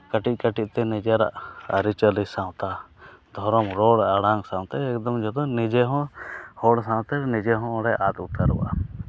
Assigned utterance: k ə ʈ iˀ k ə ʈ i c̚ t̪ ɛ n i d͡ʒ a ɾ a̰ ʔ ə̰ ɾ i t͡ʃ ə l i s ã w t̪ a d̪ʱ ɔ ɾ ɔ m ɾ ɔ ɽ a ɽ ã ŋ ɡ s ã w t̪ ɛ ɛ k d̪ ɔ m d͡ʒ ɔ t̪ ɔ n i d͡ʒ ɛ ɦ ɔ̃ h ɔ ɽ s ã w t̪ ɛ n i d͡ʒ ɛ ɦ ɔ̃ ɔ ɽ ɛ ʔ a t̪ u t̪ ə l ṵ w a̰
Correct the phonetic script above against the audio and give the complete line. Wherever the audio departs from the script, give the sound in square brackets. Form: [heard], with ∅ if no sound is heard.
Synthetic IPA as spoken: k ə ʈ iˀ k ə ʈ i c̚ t̪ ɛ n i d͡ʒ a ɾ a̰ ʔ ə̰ ɾ i t͡ʃ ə l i s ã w t̪ a d̪ʱ ɔ ɾ ɔ m ɾ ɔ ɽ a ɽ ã ŋ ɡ s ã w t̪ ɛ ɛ k d̪ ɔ m d͡ʒ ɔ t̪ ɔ n i d͡ʒ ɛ ɦ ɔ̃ h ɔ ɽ s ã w t̪ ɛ n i d͡ʒ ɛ ɦ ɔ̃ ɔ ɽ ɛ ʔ a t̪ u t̪ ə [ɾ] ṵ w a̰